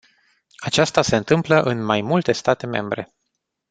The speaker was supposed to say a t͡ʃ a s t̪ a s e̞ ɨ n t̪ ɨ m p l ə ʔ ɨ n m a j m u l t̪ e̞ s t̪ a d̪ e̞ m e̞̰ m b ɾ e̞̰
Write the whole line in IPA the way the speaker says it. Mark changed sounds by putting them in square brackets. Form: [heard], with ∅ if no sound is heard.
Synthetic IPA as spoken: a t͡ʃ a s t̪ a s e̞ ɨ n t̪ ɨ m p l ə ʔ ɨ n m a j m u l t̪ e̞ s t̪ a [t̪] e̞ m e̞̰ m b ɾ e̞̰

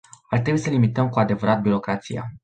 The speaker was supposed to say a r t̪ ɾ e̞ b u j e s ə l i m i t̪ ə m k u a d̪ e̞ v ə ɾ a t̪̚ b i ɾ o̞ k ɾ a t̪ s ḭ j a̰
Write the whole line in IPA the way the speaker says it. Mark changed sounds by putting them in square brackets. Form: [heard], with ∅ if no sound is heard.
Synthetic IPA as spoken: a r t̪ ɾ e̞ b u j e s ə l i m i t̪ ə m k u a d̪ e̞ v ə ɾ a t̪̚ b i ɾ o̞ k ɾ a t̪ s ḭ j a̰

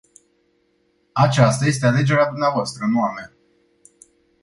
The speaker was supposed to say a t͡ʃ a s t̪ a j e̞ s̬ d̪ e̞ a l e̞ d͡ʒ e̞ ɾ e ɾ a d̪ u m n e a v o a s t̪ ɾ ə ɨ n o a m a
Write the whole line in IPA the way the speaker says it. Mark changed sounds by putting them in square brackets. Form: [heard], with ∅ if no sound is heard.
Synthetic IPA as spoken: a t͡ʃ a s t̪ a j e̞ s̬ [t̪] e̞ a l e̞ d͡ʒ e̞ ɾ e [∅] a d̪ u m n e a v o a s t̪ ɾ ə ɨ n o a m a

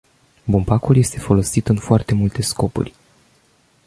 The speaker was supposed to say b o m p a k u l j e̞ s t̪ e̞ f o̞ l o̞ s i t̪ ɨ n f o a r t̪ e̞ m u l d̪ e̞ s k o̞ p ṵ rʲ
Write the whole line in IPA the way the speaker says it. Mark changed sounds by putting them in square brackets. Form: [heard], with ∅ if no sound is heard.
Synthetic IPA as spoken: b [u] m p a k u l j e̞ s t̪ e̞ f o̞ l o̞ s i t̪ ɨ n f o a r t̪ e̞ m u l [t̪] e̞ s k o̞ p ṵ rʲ

